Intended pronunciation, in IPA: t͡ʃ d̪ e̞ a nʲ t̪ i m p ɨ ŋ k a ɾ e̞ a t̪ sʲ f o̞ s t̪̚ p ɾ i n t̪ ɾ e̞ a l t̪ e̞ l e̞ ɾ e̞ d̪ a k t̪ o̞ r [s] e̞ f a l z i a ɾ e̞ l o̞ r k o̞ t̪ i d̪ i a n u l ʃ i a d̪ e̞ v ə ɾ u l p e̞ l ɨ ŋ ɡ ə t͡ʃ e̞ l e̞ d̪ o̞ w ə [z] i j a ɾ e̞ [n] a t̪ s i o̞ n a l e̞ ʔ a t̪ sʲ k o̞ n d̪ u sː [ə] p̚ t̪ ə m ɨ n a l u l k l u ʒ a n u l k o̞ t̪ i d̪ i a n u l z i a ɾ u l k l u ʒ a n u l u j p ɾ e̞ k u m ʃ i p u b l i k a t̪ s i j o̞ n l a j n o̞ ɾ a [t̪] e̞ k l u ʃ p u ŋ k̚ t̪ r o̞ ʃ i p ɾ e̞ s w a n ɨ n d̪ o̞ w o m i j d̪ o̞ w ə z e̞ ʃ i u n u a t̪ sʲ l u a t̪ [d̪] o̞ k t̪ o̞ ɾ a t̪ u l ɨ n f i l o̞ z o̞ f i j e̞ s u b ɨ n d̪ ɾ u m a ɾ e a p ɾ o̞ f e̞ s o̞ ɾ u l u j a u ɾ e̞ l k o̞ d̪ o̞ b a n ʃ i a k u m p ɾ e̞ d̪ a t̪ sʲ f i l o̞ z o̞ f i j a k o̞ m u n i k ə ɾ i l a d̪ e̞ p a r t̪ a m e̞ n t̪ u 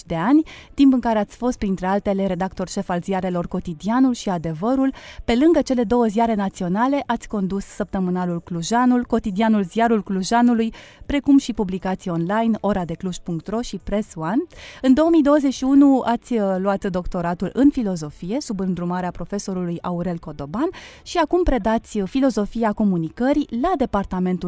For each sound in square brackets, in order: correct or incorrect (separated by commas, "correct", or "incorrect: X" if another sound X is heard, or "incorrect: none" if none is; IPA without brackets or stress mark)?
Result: incorrect: ʃ, correct, correct, correct, incorrect: d̪, correct